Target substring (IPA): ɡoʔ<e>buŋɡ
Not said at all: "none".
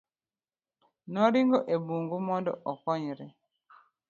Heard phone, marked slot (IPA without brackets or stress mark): e